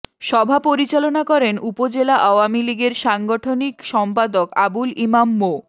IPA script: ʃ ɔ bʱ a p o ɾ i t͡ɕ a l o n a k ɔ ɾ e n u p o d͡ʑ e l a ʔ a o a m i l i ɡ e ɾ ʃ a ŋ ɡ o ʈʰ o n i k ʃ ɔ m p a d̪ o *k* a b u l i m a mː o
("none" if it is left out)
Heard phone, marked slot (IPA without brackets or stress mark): k